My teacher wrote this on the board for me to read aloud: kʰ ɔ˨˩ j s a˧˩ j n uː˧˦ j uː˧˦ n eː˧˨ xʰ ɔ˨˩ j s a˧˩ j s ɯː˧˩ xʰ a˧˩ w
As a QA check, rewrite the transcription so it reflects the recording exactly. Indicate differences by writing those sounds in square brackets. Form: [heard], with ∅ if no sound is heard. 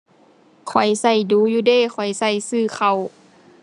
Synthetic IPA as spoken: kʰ ɔ˨˩ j s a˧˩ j [d] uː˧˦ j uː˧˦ [d] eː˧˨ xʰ ɔ˨˩ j s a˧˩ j s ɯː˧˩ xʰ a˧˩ w